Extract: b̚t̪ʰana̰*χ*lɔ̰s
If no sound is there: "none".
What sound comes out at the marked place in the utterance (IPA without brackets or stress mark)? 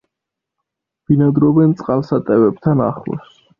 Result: χ